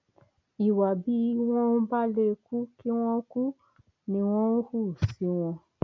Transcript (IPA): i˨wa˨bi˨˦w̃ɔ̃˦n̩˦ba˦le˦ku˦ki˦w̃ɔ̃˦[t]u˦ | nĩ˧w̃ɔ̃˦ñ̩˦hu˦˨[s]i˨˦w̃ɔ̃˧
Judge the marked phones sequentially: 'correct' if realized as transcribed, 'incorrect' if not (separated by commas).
incorrect, correct